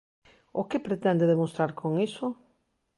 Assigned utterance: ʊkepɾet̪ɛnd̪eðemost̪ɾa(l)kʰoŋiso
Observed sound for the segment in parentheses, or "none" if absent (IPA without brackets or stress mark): ɾ